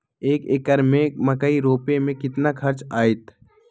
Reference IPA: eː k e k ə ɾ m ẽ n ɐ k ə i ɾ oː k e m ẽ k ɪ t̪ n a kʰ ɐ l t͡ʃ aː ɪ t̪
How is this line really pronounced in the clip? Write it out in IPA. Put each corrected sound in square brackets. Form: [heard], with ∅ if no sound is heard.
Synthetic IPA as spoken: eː k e k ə ɾ m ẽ [m] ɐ k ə i ɾ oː [p] e m ẽ k ɪ t̪ n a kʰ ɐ [ɾ] t͡ʃ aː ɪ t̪